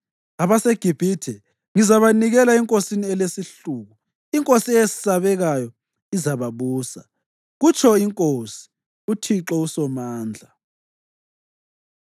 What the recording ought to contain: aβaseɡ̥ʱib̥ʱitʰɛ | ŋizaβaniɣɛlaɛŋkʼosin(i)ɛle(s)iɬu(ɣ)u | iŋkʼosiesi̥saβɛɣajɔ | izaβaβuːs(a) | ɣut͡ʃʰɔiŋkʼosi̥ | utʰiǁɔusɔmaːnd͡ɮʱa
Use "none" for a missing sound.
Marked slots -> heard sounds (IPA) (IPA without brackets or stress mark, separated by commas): i, s, ɣ, a